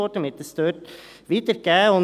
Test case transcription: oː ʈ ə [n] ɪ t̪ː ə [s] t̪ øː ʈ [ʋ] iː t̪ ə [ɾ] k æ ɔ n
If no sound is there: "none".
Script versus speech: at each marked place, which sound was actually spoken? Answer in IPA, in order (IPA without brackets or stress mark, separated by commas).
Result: m, s, ʋ, ɾ